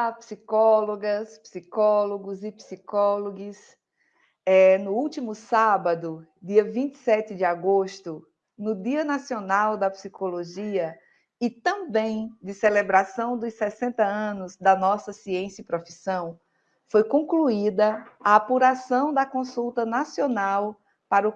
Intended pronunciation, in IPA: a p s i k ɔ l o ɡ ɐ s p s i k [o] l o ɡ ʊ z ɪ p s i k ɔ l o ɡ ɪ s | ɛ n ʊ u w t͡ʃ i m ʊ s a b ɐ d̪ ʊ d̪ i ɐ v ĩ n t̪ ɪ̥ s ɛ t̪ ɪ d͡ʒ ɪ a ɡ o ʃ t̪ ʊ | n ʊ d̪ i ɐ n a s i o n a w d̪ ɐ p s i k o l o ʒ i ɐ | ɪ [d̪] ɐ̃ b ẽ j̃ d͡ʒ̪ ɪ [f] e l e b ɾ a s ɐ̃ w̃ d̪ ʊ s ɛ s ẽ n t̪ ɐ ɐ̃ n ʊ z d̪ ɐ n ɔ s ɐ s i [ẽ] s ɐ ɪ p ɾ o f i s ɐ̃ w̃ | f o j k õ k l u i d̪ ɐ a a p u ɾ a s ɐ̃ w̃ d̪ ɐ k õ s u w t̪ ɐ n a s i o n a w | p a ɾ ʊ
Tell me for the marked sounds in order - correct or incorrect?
incorrect, incorrect, incorrect, correct

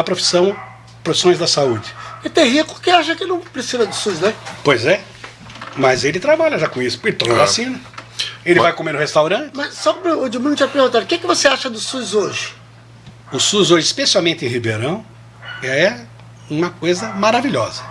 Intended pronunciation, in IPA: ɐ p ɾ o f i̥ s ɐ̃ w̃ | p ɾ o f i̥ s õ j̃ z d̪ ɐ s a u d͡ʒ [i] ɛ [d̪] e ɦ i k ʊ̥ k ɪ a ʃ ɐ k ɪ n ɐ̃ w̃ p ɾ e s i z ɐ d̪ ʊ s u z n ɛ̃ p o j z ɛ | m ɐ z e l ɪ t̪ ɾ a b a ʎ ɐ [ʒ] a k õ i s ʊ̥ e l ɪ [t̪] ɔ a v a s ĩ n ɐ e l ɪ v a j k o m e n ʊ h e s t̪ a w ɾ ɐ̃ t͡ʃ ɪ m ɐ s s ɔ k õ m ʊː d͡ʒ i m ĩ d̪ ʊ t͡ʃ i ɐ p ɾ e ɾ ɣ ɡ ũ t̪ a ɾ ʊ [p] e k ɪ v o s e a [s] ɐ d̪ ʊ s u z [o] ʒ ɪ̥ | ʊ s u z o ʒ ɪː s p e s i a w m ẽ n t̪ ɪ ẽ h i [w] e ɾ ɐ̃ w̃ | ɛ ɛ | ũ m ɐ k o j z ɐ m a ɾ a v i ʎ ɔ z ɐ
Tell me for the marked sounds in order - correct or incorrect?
incorrect, incorrect, correct, correct, incorrect, incorrect, correct, incorrect

